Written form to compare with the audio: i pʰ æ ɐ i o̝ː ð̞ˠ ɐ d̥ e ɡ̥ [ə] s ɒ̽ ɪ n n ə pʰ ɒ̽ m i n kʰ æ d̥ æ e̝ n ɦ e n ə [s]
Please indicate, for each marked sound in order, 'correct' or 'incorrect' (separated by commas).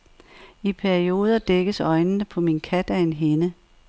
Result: correct, incorrect